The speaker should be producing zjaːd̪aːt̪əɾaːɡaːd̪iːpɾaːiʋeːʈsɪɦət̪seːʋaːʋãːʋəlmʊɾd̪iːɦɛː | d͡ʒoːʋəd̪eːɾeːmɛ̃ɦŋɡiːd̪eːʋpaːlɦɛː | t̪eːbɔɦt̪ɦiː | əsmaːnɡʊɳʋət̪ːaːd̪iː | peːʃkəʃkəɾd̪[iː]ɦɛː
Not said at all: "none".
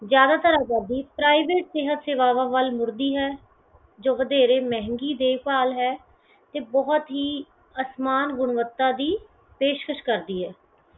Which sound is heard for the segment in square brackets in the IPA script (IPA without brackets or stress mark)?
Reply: iː